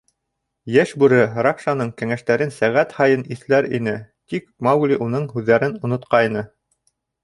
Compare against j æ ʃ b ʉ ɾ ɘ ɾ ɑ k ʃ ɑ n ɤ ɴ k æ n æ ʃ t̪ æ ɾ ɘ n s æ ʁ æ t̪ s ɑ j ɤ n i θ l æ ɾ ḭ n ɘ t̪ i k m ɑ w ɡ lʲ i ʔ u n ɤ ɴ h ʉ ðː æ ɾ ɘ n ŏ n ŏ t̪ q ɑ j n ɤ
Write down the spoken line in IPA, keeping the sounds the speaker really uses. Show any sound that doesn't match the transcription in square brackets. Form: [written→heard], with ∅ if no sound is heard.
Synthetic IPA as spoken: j æ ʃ b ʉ ɾ ɘ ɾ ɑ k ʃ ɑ n ɤ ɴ k æ [n→ŋ] æ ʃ t̪ æ ɾ ɘ n s æ ʁ æ t̪ [s→h] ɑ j ɤ n i θ l æ ɾ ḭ n ɘ t̪ i k m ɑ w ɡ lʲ i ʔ u n ɤ ɴ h ʉ ðː æ ɾ ɘ n ŏ n ŏ t̪ q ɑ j n ɤ

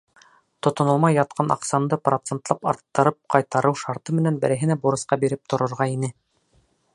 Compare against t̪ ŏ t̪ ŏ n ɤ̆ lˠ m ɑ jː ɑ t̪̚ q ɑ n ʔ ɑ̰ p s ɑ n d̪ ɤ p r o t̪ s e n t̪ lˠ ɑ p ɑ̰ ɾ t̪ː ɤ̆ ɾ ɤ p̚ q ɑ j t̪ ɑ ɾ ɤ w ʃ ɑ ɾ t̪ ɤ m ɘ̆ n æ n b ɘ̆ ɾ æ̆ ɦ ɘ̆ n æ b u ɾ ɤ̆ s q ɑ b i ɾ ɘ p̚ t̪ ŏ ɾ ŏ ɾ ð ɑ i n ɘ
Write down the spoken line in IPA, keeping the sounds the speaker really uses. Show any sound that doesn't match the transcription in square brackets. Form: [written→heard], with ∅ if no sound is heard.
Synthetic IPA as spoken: t̪ ŏ t̪ ŏ n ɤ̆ lˠ m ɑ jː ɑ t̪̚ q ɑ n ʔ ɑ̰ [p→q] s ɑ n d̪ ɤ p r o t̪ s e n t̪ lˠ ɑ p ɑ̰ ɾ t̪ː ɤ̆ ɾ ɤ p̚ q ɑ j t̪ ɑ ɾ ɤ w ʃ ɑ ɾ t̪ ɤ m ɘ̆ n æ n b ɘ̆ ɾ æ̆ ɦ ɘ̆ n æ b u ɾ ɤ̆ s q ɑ b i ɾ ɘ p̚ t̪ ŏ ɾ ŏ ɾ [ð→ʁ] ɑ i n ɘ

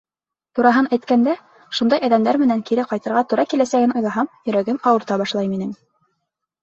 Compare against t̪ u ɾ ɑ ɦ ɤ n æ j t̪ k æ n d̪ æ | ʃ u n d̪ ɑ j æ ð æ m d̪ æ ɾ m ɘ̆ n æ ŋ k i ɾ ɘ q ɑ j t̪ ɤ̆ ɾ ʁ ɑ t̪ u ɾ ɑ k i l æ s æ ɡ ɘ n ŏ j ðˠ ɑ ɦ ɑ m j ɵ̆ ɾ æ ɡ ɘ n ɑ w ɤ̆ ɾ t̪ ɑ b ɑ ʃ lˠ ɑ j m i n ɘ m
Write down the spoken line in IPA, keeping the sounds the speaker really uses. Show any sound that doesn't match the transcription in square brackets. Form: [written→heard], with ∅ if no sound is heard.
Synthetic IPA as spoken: t̪ u ɾ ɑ ɦ ɤ n æ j t̪ k æ n d̪ æ | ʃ u n d̪ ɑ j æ ð æ m d̪ æ ɾ m ɘ̆ n æ ŋ k i ɾ ɘ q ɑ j t̪ ɤ̆ ɾ ʁ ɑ t̪ u ɾ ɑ k i l æ s æ ɡ ɘ n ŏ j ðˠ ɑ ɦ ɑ m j ɵ̆ ɾ æ ɡ ɘ [n→m] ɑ w ɤ̆ ɾ t̪ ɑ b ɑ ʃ lˠ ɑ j m i n ɘ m

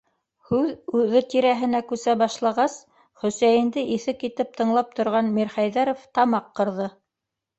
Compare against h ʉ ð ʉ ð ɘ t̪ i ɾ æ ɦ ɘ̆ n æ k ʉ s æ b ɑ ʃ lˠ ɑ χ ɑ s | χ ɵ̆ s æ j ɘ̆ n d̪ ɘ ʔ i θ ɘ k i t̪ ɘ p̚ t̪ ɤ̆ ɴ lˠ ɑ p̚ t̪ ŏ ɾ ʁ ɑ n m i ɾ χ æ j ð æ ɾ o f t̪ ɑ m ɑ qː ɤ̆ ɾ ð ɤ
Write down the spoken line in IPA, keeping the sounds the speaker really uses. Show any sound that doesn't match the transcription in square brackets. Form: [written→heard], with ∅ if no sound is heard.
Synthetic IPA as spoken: h ʉ ð ʉ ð ɘ t̪ i ɾ æ ɦ ɘ̆ n æ k ʉ s æ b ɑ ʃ lˠ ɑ [χ→ʁ] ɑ s | χ ɵ̆ s æ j ɘ̆ n d̪ ɘ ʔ i θ ɘ k i t̪ ɘ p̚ t̪ ɤ̆ ɴ lˠ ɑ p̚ t̪ ŏ ɾ ʁ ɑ n m i ɾ χ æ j ð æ ɾ o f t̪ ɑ m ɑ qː ɤ̆ ɾ ð ɤ

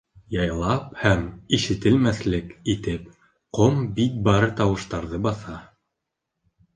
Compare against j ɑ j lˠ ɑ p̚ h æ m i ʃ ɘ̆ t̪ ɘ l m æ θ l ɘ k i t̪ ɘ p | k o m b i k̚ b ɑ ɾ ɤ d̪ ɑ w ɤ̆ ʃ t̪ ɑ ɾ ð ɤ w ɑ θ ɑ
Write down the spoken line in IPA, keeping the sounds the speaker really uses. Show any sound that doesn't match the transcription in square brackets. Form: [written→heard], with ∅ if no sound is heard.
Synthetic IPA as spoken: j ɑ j lˠ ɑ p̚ h æ m i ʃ ɘ̆ t̪ ɘ l m æ θ l ɘ k i t̪ ɘ p | [k→q] o m b i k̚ b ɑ ɾ ɤ [d̪→t̪] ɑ w ɤ̆ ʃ t̪ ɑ ɾ ð ɤ [w→b] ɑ θ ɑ

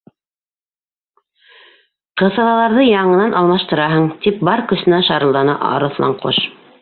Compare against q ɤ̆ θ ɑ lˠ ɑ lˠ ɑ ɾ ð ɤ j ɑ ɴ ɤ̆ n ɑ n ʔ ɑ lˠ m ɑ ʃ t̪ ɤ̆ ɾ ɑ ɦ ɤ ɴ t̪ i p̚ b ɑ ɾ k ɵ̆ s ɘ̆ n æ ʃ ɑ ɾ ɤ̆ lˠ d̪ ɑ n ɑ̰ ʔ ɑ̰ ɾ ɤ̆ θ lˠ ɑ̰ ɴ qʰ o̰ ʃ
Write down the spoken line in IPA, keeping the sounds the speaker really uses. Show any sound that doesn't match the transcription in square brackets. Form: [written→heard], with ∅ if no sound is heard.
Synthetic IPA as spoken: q ɤ̆ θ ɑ lˠ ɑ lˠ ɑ ɾ ð ɤ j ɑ ɴ ɤ̆ n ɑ n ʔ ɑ lˠ m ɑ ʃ t̪ ɤ̆ ɾ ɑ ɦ ɤ ɴ t̪ i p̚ b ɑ ɾ k ɵ̆ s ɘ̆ n æ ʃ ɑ ɾ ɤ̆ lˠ d̪ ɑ n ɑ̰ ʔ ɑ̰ ɾ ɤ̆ θ lˠ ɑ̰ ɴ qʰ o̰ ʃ

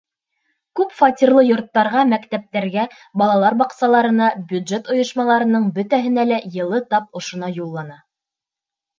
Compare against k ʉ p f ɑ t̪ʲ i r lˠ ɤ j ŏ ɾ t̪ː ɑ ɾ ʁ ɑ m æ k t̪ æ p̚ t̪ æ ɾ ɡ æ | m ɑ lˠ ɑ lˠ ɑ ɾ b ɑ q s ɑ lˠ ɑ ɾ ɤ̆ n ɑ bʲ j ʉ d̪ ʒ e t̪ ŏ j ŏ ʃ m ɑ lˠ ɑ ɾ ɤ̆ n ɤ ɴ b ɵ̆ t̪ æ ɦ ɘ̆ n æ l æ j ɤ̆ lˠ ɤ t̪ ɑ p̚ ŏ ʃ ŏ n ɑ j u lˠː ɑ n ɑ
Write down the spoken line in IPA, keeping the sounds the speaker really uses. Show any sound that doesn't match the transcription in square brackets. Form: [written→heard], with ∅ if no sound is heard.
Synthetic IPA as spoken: k ʉ p f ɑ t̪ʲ i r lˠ ɤ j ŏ ɾ t̪ː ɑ ɾ ʁ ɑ m æ k t̪ æ p̚ t̪ æ ɾ ɡ æ | [m→b] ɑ lˠ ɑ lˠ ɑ ɾ b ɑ q s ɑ lˠ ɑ ɾ ɤ̆ n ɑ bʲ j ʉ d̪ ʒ e t̪ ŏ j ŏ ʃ m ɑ lˠ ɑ ɾ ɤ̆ n ɤ ɴ b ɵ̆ t̪ æ ɦ ɘ̆ n æ l æ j ɤ̆ lˠ ɤ t̪ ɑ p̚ ŏ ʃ ŏ n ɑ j u lˠː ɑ n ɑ

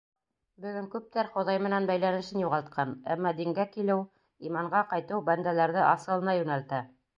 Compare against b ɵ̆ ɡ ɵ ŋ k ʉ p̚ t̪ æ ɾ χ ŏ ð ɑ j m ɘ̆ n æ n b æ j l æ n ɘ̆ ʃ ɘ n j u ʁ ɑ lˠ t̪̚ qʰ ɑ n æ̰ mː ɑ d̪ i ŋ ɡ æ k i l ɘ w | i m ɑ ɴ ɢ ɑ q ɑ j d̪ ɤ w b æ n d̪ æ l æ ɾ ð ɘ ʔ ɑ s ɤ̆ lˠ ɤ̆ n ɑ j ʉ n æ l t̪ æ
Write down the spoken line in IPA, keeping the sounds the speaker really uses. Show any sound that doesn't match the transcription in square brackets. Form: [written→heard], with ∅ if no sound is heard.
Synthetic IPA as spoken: b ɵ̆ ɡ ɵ ŋ k ʉ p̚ t̪ æ ɾ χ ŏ ð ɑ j m ɘ̆ n æ n b æ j l æ n ɘ̆ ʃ ɘ n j u ʁ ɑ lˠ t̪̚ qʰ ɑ n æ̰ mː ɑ d̪ i ŋ ɡ æ k i l ɘ w | i m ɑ ɴ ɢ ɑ q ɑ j [d̪→t̪] ɤ w b æ n d̪ æ l æ ɾ ð ɘ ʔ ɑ s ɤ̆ lˠ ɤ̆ n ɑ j ʉ n æ l t̪ æ

